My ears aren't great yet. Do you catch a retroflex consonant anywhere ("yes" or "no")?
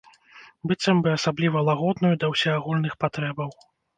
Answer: no